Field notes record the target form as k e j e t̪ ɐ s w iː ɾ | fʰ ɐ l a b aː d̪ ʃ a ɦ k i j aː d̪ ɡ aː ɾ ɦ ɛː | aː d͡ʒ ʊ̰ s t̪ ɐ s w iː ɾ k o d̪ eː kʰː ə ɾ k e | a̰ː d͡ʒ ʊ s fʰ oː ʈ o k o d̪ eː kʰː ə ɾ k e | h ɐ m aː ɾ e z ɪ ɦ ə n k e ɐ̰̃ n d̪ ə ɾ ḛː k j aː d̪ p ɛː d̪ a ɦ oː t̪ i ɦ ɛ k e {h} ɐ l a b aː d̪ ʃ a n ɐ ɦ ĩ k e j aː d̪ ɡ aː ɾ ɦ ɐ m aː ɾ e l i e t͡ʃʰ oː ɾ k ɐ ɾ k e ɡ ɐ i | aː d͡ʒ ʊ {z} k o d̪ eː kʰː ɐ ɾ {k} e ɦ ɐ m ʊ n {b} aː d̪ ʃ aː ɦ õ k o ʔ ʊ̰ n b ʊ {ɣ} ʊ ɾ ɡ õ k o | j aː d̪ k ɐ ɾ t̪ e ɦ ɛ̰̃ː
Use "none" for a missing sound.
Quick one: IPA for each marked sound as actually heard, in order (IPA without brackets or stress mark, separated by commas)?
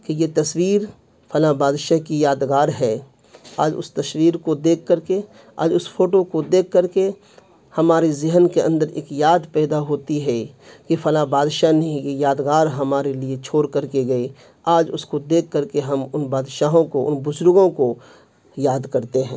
f, s, k, b, z